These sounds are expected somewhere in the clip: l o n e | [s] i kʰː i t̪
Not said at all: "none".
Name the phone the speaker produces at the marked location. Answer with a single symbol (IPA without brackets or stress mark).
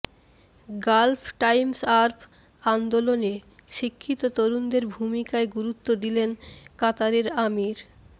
ʃ